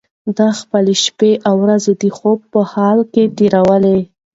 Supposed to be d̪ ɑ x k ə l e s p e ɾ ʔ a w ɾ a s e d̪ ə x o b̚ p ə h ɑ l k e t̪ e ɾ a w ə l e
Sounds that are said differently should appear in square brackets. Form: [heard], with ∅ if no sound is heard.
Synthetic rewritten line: d̪ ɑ x [p] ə l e [ʃ] p e [∅] ʔ a w ɾ a [z] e d̪ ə x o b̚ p ə h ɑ l k e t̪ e ɾ a w ə l e